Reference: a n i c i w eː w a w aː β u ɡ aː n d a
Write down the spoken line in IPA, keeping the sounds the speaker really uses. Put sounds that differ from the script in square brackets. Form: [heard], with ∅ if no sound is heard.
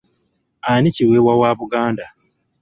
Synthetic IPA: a n i c i w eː w a w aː β u ɡ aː n d a

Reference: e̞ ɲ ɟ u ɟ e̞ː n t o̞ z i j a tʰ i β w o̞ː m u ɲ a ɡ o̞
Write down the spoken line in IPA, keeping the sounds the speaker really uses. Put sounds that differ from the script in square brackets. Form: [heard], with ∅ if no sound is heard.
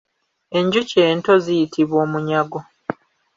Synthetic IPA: e̞ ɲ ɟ u [c] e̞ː n t o̞ z i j [i] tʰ i β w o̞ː m u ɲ a ɡ o̞

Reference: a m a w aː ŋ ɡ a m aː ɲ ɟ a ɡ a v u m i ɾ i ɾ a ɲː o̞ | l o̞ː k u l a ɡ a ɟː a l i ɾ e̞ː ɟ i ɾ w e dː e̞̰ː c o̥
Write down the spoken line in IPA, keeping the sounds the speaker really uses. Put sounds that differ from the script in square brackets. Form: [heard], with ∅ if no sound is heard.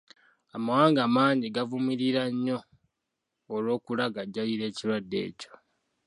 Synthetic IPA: a m a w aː ŋ ɡ a m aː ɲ ɟ [i] ɡ a v u m i ɾ i ɾ a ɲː o̞ | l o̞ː k u l a ɡ a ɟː a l i ɾ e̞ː [c] i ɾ w [a] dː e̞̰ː c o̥

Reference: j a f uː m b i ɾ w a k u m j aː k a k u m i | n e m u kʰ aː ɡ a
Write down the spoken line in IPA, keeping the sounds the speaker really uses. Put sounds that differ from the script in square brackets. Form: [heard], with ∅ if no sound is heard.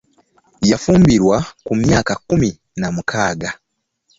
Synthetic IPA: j a f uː m b i ɾ w a k u m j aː k a k u m i | n [a] m u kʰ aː ɡ a

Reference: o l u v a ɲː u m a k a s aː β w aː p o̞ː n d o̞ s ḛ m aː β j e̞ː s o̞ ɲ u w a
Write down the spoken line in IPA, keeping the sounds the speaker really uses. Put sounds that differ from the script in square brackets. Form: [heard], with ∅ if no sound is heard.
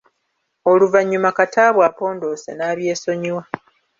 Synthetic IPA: o l u v a ɲː u m a k a [t] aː β w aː p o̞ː n d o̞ s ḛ [n] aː β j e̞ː s o̞ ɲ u w a

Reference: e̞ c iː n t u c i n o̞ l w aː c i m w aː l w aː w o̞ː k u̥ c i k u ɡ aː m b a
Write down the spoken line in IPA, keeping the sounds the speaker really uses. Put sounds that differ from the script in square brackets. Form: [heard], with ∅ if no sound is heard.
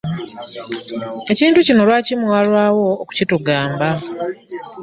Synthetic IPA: e̞ c iː n t u c i n o̞ l w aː c i m w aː l w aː w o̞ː k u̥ c i [t] u ɡ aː m b a

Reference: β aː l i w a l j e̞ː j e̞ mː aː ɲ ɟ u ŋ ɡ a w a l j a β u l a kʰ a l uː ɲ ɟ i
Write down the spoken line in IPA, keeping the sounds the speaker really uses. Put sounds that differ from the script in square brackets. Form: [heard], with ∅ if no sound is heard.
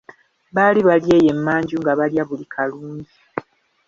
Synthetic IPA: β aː l i [β] a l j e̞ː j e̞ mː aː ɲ ɟ u ŋ ɡ a [β] a l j a β u l [i] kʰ a l uː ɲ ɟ i

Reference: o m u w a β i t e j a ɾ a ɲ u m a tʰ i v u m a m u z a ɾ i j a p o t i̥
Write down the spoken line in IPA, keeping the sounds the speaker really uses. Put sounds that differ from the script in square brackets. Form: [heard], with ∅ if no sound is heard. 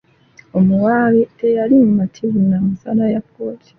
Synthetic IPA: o m u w a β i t e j a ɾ [i] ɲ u m a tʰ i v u [n] a m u [s] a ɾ [a] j a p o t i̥

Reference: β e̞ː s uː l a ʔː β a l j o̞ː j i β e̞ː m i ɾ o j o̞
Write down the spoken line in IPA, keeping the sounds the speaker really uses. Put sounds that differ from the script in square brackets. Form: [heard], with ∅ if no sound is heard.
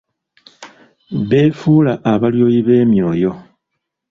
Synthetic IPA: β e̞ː [f] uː l a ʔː β a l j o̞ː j i β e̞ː m i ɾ o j o̞

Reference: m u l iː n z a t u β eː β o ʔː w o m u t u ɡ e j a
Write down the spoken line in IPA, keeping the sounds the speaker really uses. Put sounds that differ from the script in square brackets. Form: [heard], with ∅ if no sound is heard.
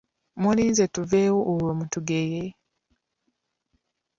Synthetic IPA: m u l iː n z [e] t u [v] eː [w] o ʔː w o m u t u ɡ e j [e]

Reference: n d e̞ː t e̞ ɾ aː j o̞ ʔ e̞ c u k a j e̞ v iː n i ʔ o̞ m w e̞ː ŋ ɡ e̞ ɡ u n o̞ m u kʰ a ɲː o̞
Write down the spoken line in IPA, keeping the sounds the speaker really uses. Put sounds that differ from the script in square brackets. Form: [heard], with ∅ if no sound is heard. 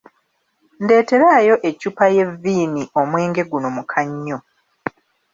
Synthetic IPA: n d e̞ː t e̞ ɾ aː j o̞ ʔ e̞ c u [p] a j e̞ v iː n i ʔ o̞ m w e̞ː ŋ ɡ e̞ ɡ u n o̞ m u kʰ a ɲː o̞

